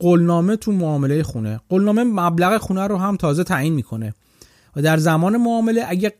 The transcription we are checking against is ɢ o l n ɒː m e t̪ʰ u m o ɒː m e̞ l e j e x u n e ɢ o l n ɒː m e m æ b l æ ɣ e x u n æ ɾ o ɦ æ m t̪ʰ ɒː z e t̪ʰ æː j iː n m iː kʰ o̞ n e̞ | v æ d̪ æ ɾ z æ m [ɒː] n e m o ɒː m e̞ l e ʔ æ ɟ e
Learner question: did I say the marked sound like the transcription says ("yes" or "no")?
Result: yes